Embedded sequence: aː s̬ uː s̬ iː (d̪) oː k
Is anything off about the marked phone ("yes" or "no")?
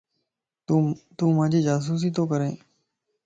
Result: yes